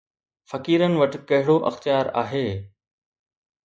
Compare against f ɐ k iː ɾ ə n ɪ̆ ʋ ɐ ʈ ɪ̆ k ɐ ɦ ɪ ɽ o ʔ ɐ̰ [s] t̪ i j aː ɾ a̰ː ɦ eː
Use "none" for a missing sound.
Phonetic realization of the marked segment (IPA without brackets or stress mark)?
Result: x